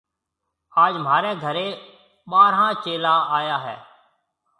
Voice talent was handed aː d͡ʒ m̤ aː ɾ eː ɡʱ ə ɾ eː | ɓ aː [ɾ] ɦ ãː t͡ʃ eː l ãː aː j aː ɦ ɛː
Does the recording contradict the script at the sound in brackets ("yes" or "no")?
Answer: no